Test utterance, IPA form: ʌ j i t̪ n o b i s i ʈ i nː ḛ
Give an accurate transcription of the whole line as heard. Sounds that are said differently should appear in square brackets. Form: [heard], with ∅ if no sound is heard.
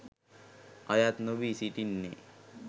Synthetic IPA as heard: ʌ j [a] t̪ n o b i s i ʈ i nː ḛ